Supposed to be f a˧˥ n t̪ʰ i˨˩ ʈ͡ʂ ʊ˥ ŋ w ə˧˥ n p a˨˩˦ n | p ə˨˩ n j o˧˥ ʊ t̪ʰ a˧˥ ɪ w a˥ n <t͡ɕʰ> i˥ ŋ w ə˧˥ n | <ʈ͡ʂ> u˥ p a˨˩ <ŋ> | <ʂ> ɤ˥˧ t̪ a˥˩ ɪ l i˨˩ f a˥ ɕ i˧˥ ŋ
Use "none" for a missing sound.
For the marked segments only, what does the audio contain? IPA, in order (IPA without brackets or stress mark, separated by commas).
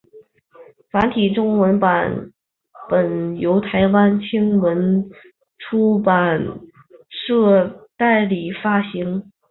t͡ɕʰ, ʈ͡ʂʰ, n, ʂ